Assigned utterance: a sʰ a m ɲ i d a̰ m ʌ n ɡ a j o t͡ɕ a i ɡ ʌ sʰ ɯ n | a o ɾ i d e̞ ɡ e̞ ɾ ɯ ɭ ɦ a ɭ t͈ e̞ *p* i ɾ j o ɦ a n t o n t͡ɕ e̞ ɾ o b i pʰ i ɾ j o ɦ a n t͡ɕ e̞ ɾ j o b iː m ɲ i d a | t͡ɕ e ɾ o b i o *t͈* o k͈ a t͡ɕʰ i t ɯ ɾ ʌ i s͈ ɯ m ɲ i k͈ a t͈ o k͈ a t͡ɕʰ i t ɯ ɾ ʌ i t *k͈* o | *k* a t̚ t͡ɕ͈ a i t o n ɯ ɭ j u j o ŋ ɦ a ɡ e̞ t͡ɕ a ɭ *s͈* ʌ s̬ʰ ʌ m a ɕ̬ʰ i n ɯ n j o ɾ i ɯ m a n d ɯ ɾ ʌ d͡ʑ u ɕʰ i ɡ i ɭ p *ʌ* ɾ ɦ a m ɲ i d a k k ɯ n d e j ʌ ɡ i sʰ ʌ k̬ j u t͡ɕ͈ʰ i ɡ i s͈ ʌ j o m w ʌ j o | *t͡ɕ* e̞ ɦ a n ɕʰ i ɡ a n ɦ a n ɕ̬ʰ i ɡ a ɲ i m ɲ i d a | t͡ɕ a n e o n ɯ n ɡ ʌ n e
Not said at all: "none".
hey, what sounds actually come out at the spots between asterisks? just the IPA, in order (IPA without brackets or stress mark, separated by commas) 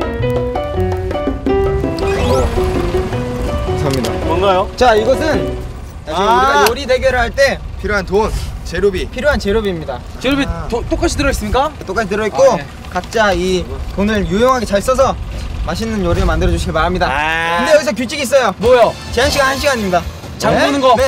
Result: pʰ, t͈, k͈, k, s͈, a, t͡ɕ